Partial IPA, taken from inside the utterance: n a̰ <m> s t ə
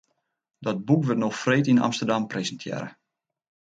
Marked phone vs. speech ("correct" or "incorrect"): correct